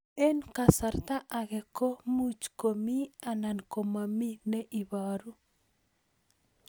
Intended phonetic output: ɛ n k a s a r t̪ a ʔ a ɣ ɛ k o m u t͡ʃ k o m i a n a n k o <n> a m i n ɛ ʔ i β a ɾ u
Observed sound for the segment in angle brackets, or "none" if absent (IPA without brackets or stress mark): m